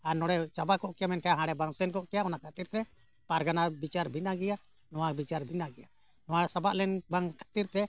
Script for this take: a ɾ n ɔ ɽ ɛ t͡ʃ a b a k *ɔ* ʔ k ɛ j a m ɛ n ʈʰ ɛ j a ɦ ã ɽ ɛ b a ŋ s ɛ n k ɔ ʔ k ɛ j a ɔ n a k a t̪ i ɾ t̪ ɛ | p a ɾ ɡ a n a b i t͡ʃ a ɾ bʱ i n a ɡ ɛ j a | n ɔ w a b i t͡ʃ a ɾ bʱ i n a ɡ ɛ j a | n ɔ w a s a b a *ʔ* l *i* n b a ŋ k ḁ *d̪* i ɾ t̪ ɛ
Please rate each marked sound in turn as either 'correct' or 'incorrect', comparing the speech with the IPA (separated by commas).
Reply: correct, correct, incorrect, incorrect